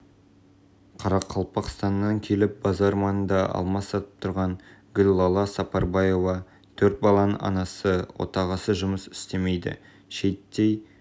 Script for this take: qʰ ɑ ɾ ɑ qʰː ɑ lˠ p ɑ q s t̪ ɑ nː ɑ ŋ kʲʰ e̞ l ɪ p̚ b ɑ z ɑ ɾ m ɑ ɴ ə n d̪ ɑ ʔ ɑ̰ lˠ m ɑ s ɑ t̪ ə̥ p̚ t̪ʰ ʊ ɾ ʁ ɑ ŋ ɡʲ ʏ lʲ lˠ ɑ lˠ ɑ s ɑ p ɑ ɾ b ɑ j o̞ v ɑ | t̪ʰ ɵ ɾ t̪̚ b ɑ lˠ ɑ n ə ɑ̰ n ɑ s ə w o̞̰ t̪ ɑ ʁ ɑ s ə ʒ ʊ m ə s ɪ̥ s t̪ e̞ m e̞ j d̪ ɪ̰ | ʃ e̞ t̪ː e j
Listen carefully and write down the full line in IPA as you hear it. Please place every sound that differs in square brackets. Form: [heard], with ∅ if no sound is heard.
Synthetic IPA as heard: qʰ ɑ ɾ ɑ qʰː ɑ lˠ p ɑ q s t̪ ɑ nː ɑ ŋ kʲʰ e̞ l ɪ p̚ b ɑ z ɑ ɾ m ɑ [n] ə n d̪ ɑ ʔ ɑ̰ lˠ m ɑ s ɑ t̪ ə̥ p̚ t̪ʰ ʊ ɾ ʁ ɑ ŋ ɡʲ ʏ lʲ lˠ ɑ lˠ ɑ s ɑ p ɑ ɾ b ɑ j o̞ v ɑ | t̪ʰ ɵ ɾ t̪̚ b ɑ lˠ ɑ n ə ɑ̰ n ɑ s ə w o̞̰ t̪ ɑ ʁ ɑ s ə ʒ ʊ m ə s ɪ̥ s t̪ e̞ m e̞ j d̪ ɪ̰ | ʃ e̞ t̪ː e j